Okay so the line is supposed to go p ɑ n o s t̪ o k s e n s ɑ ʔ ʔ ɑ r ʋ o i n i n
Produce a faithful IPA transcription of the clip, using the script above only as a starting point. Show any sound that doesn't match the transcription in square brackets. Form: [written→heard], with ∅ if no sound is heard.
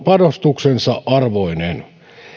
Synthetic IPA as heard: p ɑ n o s t̪ [o→u] k s e n s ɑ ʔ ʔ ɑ r ʋ o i n [i→e] n